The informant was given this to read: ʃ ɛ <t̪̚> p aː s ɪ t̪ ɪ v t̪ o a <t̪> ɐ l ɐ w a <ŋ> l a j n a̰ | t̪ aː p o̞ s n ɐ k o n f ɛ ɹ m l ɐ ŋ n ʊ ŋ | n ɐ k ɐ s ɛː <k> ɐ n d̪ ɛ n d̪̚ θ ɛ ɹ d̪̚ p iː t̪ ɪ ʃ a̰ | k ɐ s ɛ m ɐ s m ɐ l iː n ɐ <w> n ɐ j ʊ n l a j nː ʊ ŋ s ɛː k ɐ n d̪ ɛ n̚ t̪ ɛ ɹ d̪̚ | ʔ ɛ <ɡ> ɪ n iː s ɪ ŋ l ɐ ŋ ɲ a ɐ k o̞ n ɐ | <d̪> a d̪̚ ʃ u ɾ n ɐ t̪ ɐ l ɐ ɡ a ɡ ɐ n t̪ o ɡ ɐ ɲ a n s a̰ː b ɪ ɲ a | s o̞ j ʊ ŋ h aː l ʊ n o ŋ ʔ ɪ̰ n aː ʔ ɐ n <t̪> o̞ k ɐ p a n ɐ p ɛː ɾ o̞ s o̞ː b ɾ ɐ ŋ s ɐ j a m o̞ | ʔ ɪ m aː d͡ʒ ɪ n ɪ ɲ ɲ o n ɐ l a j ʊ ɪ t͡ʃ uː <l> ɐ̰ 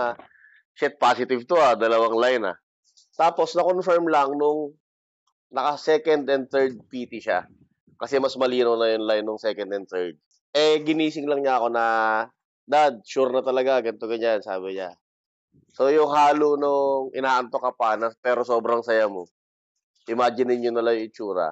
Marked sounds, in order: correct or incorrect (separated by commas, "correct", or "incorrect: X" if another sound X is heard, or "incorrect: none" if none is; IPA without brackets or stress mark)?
correct, incorrect: d̪, correct, correct, correct, correct, correct, correct, incorrect: ɾ